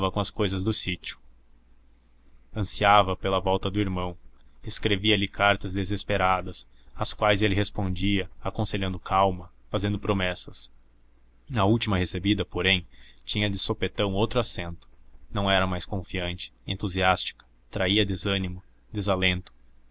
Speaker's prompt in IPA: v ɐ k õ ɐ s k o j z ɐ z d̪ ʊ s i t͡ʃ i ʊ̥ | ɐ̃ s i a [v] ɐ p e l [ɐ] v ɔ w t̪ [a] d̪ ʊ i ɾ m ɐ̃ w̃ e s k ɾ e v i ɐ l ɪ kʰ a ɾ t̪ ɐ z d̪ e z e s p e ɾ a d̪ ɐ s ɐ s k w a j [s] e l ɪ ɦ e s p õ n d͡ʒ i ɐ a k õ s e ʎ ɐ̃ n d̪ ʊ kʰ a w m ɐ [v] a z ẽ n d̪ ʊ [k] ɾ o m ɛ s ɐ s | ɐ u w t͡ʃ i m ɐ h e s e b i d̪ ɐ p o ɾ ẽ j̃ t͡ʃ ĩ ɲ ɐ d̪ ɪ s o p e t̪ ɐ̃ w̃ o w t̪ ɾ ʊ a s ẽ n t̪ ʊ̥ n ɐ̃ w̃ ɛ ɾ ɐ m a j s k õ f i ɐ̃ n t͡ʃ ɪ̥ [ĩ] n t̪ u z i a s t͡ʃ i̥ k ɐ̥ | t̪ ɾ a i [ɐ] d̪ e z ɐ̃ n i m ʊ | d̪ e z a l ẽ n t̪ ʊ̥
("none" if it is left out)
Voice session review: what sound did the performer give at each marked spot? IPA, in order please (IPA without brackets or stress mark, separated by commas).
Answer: v, ɐ, ɐ, z, f, p, ẽ, ɐ